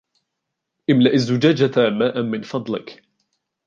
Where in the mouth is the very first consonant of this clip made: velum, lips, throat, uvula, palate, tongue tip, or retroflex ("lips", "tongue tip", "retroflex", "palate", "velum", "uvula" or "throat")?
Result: throat